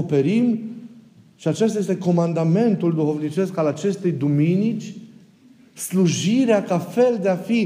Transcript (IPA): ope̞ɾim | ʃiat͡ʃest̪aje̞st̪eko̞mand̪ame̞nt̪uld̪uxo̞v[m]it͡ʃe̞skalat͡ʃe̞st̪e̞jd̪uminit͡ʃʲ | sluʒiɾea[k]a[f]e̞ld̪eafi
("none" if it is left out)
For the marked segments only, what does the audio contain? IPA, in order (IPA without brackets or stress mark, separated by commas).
n, k, f